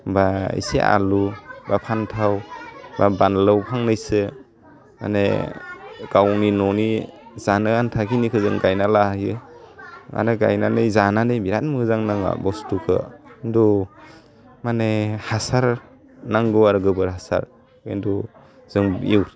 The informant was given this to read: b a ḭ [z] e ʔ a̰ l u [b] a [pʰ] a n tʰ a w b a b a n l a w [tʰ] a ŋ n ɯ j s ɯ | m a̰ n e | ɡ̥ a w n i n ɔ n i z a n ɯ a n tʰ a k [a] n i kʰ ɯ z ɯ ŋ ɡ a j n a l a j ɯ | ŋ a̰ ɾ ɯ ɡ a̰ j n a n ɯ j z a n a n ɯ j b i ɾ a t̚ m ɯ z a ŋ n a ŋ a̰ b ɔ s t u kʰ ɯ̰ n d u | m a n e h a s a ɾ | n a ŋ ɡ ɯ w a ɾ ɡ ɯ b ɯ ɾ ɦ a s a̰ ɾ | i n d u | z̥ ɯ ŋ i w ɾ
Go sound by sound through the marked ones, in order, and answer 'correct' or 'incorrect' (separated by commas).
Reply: incorrect, correct, correct, incorrect, incorrect